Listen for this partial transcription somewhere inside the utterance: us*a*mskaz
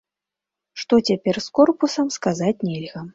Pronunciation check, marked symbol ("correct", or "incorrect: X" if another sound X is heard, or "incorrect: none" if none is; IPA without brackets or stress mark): incorrect: ɐ